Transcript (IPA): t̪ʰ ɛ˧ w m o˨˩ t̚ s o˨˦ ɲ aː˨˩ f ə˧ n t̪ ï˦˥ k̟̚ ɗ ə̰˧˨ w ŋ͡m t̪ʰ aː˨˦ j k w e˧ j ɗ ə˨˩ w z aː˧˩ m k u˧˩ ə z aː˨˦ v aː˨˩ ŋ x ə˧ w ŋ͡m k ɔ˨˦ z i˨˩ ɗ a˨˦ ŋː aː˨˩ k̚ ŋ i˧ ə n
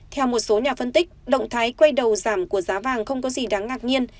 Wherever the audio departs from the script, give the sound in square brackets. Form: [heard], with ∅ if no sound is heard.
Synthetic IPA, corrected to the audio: t̪ʰ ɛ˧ w m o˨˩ t̚ s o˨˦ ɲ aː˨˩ f ə˧ n t̪ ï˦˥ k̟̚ ɗ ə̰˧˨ w ŋ͡m t̪ʰ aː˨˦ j k w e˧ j ɗ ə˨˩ w z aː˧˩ m k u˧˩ ə z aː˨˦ v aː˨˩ ŋ x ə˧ w ŋ͡m k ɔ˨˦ z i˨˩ ɗ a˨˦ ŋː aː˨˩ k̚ [ɲ] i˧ ə n

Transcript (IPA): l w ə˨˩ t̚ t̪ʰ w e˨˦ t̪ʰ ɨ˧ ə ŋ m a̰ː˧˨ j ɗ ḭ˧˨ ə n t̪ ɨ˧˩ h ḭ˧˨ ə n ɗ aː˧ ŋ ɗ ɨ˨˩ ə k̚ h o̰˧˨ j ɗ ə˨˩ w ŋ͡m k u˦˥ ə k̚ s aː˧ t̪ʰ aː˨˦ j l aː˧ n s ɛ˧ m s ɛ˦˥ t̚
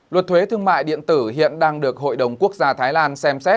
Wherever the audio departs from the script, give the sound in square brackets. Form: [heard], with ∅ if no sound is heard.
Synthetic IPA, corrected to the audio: l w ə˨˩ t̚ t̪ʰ w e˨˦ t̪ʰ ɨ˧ ə ŋ m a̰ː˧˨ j ɗ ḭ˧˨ ə n t̪ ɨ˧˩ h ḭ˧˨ ə n ɗ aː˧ ŋ ɗ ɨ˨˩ ə k̚ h o̰˧˨ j ɗ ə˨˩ w ŋ͡m k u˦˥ ə k̚ [z] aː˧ t̪ʰ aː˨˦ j l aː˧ n s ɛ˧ m s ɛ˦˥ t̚

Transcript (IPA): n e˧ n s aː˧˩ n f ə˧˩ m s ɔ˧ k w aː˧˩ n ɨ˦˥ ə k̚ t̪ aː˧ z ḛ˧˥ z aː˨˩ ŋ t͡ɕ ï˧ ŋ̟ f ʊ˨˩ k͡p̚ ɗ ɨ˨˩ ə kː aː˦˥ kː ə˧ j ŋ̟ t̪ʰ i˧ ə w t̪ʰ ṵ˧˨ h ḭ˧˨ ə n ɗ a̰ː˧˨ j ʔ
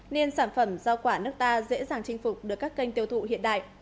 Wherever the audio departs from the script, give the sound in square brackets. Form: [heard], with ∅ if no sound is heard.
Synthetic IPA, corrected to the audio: n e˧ n s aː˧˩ n f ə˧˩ m [z] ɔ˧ k w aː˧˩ n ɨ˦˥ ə k̚ t̪ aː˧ z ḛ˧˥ z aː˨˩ ŋ t͡ɕ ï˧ ŋ̟ f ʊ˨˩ k͡p̚ ɗ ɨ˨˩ ə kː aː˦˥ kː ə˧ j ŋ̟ [t̪] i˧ ə w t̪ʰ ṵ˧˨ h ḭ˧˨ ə n ɗ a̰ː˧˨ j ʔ

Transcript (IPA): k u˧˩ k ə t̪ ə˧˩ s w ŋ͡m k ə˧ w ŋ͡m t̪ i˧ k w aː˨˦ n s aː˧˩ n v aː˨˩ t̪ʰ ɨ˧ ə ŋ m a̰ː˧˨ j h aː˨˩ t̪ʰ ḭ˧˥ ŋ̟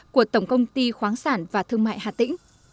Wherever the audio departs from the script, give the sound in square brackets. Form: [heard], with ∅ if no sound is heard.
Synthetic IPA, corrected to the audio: k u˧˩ [∅] ə t̪ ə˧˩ [∅] w ŋ͡m k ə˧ w ŋ͡m t̪ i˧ [x] w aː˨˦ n s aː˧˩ n v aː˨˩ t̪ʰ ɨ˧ ə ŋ m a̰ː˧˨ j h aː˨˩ [t̪] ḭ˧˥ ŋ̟

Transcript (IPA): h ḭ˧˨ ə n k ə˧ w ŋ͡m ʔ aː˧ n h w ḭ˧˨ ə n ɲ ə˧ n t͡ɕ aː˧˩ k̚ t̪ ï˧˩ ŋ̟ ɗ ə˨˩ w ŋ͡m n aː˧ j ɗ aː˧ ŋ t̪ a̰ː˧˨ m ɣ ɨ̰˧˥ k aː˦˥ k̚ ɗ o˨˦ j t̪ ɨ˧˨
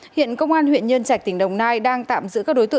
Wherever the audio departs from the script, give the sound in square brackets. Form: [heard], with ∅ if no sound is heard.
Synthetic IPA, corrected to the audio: h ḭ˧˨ ə n k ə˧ w ŋ͡m ʔ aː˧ n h w ḭ˧˨ ə n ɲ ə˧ n t͡ɕ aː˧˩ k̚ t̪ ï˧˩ ŋ̟ ɗ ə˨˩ w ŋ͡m n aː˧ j ɗ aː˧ ŋ t̪ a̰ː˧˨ m [z] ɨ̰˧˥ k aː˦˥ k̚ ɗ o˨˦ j t̪ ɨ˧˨

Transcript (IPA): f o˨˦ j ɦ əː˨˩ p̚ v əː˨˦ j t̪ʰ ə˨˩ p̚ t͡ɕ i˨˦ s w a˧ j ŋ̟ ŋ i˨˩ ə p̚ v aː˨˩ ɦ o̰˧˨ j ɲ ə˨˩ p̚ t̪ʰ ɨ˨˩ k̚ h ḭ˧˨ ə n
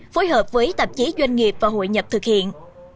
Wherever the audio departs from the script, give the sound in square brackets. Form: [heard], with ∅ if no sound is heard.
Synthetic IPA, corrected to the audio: f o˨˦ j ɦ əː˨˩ p̚ v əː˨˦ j [t̪] ə˨˩ p̚ t͡ɕ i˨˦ [z] w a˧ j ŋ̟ ŋ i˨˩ ə p̚ v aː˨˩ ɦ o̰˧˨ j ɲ ə˨˩ p̚ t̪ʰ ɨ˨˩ k̚ h ḭ˧˨ ə n

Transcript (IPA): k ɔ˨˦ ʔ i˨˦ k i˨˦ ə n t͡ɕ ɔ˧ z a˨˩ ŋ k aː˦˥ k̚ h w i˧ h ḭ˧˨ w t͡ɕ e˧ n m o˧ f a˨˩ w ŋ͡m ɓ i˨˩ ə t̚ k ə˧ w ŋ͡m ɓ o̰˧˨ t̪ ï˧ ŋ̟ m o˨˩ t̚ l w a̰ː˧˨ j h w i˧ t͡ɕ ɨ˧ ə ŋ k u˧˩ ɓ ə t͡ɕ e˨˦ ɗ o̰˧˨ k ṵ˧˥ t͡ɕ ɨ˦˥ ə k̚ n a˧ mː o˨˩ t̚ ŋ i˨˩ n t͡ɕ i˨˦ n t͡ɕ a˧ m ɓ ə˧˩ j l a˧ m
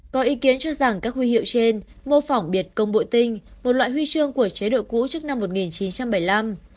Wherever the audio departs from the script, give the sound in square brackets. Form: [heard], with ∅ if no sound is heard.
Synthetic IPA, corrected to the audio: k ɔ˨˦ ʔ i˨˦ k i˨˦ ə n t͡ɕ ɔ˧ z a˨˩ ŋ k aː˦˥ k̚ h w i˧ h ḭ˧˨ w t͡ɕ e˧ n m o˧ f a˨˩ w ŋ͡m ɓ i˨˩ ə t̚ k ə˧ w ŋ͡m ɓ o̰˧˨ t̪ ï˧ ŋ̟ m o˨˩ t̚ l w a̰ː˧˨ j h w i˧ t͡ɕ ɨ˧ ə ŋ k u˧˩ [∅] ə t͡ɕ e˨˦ ɗ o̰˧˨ k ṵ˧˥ t͡ɕ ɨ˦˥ ə k̚ n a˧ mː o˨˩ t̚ ŋ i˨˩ n t͡ɕ i˨˦ n t͡ɕ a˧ m ɓ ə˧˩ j l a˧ m

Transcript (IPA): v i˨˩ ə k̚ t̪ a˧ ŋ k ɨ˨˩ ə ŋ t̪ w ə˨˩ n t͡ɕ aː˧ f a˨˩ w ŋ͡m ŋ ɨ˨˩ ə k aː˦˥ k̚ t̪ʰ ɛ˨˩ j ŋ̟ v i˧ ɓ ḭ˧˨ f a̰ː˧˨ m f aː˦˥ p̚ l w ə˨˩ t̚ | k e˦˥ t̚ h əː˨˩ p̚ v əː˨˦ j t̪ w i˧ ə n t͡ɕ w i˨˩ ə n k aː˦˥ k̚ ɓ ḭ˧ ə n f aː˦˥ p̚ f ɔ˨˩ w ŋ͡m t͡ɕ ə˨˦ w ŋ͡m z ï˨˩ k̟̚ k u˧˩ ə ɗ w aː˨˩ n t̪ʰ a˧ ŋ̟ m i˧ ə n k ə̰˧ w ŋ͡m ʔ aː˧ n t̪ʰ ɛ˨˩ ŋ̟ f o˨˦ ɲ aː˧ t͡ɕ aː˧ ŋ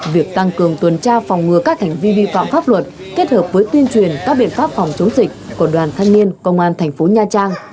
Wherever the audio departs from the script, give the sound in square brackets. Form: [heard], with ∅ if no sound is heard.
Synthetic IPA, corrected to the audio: v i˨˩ ə k̚ t̪ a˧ ŋ k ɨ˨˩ ə ŋ t̪ w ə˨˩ n t͡ɕ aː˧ f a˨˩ w ŋ͡m ŋ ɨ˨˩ ə k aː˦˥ k̚ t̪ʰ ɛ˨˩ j ŋ̟ v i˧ ɓ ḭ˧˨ f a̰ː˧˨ m f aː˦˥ p̚ l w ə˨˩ t̚ | k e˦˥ t̚ h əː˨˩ p̚ v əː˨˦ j t̪ w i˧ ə n t͡ɕ w i˨˩ ə n k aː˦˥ k̚ ɓ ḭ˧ ə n f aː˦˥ p̚ f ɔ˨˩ w ŋ͡m t͡ɕ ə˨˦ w ŋ͡m z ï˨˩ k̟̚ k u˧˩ ə ɗ w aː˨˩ n t̪ʰ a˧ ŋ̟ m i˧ ə n k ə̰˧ w ŋ͡m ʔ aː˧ n t̪ʰ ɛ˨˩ ŋ̟ f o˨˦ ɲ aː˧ t͡ɕ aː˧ ŋ

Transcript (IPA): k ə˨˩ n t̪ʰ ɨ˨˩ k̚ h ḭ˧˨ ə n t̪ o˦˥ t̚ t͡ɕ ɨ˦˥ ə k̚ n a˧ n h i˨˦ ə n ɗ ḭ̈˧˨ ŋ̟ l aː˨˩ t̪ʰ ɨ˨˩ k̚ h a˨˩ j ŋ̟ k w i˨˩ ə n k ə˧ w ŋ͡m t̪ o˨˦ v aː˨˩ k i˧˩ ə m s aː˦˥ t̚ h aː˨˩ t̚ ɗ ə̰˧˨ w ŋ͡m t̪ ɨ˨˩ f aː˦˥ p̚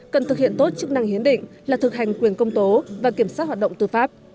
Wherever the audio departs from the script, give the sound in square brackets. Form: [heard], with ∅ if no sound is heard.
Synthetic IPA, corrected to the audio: k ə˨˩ n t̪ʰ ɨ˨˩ k̚ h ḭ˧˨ ə n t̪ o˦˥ t̚ t͡ɕ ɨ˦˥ ə k̚ n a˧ [ŋ] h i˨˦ ə n ɗ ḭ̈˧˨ ŋ̟ l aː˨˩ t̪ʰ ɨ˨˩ k̚ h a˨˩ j ŋ̟ k w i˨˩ ə n k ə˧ w ŋ͡m t̪ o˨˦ v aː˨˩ k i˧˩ ə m s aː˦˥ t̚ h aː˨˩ t̚ ɗ ə̰˧˨ w ŋ͡m t̪ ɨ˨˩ f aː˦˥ p̚

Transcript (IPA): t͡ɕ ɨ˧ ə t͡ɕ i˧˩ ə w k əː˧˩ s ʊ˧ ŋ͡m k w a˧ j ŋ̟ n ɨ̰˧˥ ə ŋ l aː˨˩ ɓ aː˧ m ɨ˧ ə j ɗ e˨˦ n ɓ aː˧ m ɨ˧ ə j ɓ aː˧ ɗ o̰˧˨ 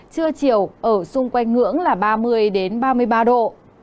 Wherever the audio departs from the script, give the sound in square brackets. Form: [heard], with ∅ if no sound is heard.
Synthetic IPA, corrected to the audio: t͡ɕ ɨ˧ ə t͡ɕ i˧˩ ə w [ʔ] əː˧˩ s ʊ˧ ŋ͡m k w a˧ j ŋ̟ [ŋ] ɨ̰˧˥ ə ŋ l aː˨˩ ɓ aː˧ m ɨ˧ ə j ɗ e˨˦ n ɓ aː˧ m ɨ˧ ə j ɓ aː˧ ɗ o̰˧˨

